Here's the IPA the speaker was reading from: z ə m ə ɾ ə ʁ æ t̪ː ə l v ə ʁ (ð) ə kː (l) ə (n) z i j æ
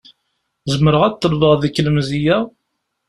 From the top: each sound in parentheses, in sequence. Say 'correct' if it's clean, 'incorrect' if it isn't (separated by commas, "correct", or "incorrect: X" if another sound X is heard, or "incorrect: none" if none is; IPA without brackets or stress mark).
correct, correct, incorrect: m